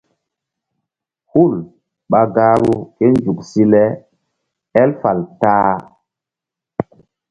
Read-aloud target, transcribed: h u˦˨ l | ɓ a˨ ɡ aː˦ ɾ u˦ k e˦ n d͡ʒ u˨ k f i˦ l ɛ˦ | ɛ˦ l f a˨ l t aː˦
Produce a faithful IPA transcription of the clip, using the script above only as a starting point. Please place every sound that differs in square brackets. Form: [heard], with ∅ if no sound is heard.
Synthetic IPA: h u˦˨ l | ɓ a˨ ɡ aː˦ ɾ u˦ k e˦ n d͡ʒ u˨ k [s] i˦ l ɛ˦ | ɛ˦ l f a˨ l t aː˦